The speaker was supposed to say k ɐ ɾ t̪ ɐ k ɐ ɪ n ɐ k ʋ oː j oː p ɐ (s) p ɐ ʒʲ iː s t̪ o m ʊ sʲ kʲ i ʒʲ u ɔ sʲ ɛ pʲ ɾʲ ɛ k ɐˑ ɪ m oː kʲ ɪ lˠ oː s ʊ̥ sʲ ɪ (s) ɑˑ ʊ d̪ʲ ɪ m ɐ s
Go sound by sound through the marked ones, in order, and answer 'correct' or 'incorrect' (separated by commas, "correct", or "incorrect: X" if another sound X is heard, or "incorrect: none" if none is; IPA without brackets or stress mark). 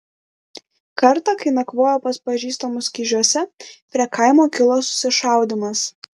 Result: correct, incorrect: ʃ